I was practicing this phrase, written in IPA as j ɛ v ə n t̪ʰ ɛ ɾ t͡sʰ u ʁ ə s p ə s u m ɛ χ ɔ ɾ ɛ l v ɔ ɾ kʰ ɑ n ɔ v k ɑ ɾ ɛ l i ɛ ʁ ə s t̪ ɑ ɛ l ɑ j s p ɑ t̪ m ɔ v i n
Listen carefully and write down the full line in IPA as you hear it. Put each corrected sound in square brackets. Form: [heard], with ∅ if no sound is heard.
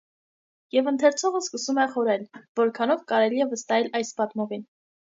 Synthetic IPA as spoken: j ɛ v ə n t̪ʰ ɛ ɾ t͡sʰ [ɔ] ʁ ə s [k] ə s u m ɛ χ ɔ ɾ ɛ l v ɔ ɾ kʰ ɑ n ɔ v k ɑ ɾ ɛ l i ɛ [v] ə s t̪ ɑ ɛ l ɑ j s p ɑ t̪ m ɔ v i n